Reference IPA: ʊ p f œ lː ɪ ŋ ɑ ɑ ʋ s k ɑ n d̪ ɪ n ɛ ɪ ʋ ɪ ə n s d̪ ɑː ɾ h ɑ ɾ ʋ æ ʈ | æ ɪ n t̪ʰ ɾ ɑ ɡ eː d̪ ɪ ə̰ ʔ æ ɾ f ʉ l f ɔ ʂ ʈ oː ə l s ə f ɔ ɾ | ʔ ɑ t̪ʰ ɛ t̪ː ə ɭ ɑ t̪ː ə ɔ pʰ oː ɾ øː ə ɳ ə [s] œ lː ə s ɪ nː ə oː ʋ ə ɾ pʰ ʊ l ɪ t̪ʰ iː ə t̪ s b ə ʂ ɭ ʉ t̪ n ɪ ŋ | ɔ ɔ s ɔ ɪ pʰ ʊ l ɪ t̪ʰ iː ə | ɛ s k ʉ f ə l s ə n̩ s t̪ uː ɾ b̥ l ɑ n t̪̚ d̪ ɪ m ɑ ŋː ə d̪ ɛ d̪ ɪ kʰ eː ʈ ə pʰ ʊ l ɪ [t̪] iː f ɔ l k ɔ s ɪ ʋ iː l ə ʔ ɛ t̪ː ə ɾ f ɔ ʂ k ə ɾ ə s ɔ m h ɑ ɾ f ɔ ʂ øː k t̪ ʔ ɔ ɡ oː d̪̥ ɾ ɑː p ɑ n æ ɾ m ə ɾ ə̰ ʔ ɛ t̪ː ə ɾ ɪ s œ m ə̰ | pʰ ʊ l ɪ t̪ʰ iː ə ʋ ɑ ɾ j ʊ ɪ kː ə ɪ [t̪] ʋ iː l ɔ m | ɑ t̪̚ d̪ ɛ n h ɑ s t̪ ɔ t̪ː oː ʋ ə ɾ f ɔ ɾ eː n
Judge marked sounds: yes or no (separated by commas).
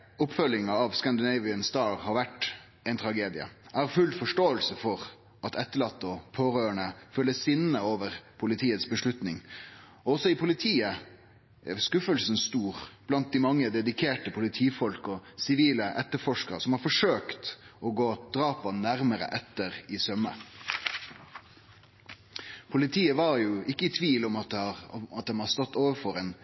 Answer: no, no, no